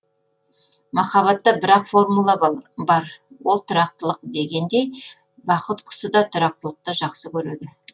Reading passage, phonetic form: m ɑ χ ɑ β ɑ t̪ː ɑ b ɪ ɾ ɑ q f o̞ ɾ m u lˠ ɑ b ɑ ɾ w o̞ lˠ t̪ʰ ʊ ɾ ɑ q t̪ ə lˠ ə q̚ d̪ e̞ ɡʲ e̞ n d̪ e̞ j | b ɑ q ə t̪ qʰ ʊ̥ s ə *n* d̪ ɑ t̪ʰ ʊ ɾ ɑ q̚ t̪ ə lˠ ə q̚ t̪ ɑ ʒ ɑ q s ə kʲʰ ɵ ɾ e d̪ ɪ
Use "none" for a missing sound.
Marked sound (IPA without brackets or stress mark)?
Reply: none